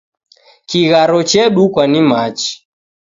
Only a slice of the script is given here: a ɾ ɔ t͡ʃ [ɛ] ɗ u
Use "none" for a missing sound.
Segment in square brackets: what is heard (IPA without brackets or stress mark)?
ɛ